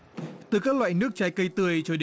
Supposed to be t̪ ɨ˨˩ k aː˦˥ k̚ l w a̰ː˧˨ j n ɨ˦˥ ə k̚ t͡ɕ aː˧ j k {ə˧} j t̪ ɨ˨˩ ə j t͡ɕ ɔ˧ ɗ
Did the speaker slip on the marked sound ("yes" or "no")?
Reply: no